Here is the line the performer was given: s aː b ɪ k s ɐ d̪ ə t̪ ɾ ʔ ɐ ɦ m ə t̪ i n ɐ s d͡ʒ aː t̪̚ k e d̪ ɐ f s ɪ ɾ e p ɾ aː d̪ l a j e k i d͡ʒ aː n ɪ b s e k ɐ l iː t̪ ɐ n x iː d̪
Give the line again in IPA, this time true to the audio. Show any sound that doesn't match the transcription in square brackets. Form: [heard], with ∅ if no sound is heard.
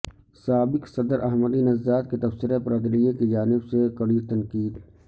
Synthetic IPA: s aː b ɪ k s ɐ d̪ ə [∅] ɾ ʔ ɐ ɦ m ə [d̪] i n ɐ [z] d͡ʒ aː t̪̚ k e [t̪] ɐ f s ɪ ɾ e p ɾ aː d̪ l [i] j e k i d͡ʒ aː n ɪ b s e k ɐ [ɽ] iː t̪ ɐ n [k] iː d̪

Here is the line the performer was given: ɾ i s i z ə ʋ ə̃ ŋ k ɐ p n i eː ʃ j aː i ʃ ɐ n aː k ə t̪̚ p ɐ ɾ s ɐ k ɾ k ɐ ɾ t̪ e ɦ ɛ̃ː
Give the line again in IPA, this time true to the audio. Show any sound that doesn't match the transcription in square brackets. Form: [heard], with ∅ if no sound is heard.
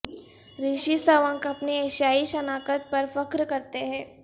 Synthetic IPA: ɾ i [ʃ] i [s] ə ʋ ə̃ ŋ k ɐ p n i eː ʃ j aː i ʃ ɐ n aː k ə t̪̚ p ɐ ɾ [f] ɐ k ɾ k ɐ ɾ t̪ e ɦ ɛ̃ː

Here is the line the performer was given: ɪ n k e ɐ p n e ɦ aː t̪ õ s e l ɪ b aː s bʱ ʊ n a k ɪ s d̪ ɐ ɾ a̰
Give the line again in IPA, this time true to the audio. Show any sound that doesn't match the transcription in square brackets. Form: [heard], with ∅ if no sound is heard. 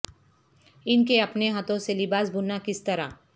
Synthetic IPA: ɪ n k e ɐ p n e ɦ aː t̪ õ s e l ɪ b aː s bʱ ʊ n a k ɪ s [t̪] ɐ ɾ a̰

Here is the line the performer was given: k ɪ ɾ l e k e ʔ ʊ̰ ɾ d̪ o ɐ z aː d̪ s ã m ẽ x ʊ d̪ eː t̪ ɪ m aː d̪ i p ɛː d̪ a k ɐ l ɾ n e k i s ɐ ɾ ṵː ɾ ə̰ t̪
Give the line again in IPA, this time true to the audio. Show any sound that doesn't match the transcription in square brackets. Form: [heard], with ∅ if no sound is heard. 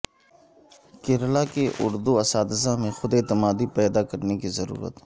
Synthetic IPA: k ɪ ɾ l [a] k e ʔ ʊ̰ ɾ d̪ [u] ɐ [s] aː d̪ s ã m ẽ x ʊ d̪ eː t̪ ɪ m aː d̪ i p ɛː d̪ a k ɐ [∅] ɾ n e k i [z] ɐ ɾ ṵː ɾ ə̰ t̪

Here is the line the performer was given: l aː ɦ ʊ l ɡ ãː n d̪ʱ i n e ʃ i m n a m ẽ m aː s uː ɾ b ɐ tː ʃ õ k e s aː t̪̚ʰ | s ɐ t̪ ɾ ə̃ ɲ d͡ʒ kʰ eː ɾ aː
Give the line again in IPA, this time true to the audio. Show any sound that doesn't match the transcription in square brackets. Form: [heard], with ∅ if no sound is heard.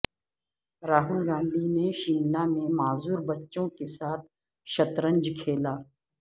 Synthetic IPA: [ɾ] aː ɦ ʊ l ɡ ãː n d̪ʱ i n e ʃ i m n a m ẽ m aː [z] uː ɾ b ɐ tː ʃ õ k e s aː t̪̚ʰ | [ʃ] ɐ t̪ ɾ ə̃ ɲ d͡ʒ kʰ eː [l] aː

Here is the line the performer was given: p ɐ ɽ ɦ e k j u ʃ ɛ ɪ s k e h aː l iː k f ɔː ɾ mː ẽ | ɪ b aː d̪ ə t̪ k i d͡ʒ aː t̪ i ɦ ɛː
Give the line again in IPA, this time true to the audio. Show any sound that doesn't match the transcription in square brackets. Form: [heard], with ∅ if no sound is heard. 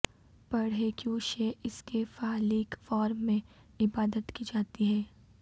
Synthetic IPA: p ɐ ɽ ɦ e k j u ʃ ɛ ɪ s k e [f] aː l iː k f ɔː ɾ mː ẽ | ɪ b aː d̪ ə t̪ k i d͡ʒ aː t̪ i ɦ ɛː

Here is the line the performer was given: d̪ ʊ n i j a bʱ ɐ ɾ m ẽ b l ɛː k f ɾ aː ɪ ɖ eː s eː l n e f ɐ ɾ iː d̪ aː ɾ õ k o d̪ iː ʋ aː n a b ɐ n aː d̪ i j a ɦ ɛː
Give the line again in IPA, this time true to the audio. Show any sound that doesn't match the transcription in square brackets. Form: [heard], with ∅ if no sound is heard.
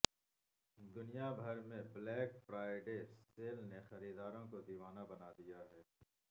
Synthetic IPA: d̪ ʊ n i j a bʱ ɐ ɾ m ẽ b l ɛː k f ɾ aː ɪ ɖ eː s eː l n e [x] ɐ ɾ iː d̪ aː ɾ õ k o d̪ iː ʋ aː n a b ɐ n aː d̪ i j a ɦ ɛː

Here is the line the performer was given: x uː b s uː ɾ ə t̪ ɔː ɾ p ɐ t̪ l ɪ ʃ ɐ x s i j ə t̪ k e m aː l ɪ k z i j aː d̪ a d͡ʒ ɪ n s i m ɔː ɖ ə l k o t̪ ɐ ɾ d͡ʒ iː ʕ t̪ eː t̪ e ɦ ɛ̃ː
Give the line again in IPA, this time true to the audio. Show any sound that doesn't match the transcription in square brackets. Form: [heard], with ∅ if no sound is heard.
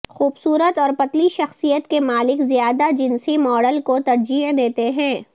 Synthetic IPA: x uː b s uː ɾ ə t̪ ɔː ɾ p ɐ t̪ l [i] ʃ ɐ x s i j ə t̪ k e m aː l ɪ k z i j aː d̪ a d͡ʒ ɪ n s i m ɔː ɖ ə l k o t̪ ɐ ɾ d͡ʒ iː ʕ [d̪] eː t̪ e ɦ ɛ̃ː

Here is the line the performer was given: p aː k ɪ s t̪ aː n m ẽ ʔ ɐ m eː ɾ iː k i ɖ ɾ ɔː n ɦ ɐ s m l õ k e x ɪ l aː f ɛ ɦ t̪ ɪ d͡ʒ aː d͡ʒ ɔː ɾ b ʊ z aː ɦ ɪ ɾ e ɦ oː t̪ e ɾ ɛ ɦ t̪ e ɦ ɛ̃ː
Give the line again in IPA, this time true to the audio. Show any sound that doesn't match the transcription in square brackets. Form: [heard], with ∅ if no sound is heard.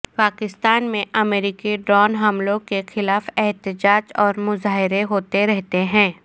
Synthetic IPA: p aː k ɪ s t̪ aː n m ẽ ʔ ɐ m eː ɾ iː k i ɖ ɾ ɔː n ɦ ɐ [∅] m l õ k e x ɪ l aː f ɛ ɦ t̪ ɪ d͡ʒ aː d͡ʒ ɔː ɾ [m] ʊ z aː ɦ ɪ ɾ e ɦ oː t̪ e ɾ ɛ ɦ t̪ e ɦ ɛ̃ː

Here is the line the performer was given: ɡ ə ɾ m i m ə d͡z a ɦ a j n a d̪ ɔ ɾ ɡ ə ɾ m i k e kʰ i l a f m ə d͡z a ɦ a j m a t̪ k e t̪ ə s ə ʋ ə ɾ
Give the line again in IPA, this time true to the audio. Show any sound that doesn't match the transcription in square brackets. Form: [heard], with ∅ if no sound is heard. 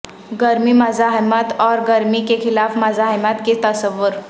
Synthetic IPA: ɡ ə ɾ m i m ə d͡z a ɦ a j [m] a [t̪] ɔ ɾ ɡ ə ɾ m i k e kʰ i l a f m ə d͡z a ɦ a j m a t̪ k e t̪ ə s ə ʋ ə ɾ

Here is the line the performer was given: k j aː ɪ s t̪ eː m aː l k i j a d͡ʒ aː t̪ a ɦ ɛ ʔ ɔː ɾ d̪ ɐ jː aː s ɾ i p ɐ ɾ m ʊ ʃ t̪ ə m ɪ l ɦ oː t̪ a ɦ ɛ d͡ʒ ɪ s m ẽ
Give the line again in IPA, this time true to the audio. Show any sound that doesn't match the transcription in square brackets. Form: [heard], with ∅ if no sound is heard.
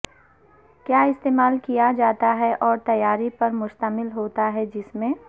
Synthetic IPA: k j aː ɪ s t̪ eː m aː l k i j a d͡ʒ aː t̪ a ɦ ɛ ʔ ɔː ɾ [t̪] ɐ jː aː [∅] ɾ i p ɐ ɾ m ʊ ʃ t̪ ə m ɪ l ɦ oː t̪ a ɦ ɛ d͡ʒ ɪ s m ẽ

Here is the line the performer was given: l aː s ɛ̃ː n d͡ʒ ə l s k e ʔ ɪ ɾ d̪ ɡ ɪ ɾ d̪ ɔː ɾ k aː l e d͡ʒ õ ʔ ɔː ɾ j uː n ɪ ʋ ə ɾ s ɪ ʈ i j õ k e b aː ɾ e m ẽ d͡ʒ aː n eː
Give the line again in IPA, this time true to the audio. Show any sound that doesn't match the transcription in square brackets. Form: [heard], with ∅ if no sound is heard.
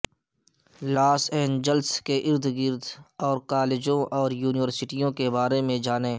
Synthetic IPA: l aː s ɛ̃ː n d͡ʒ ə l s k e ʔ ɪ ɾ d̪ ɡ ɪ ɾ d̪ ɔː ɾ k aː l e d͡ʒ õ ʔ ɔː ɾ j uː n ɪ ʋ ə ɾ s ɪ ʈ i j õ k e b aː ɾ e m ẽ d͡ʒ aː n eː

